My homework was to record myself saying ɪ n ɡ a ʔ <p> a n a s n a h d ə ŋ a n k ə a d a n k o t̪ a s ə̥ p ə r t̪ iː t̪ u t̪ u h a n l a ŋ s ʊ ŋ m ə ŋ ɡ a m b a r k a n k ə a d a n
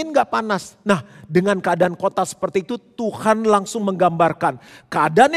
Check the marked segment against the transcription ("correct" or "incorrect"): correct